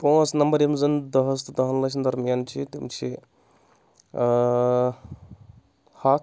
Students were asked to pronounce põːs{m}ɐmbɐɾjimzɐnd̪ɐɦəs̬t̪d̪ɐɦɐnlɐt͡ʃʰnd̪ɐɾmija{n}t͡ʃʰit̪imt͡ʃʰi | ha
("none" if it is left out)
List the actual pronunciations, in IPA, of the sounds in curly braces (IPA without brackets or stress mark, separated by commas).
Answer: n, n